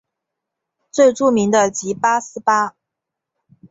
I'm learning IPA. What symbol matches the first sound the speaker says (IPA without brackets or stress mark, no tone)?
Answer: t͡s